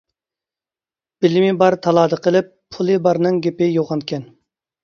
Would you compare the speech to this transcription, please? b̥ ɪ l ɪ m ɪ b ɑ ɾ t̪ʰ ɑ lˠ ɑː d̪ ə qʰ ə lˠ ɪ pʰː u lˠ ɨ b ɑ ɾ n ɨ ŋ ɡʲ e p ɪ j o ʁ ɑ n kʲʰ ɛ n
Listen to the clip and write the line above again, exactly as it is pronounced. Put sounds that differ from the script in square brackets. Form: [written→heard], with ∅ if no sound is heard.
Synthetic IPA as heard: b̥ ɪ l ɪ m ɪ b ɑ ɾ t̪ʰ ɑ lˠ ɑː d̪ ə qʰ ə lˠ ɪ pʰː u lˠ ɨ b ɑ ɾ n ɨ ŋ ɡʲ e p ɪ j o ʁ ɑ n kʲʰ ɛ n